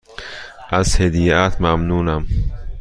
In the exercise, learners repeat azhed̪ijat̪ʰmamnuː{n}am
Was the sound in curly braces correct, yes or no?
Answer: yes